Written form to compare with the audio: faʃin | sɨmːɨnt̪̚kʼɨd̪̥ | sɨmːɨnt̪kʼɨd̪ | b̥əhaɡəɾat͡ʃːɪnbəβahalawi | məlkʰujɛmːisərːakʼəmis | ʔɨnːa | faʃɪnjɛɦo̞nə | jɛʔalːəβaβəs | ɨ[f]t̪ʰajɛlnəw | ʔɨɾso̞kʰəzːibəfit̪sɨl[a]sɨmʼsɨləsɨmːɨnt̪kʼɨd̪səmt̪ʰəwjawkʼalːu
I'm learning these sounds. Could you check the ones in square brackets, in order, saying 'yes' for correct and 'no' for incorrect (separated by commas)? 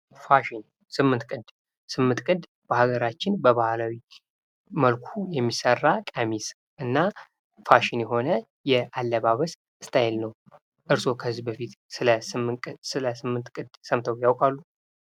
no, no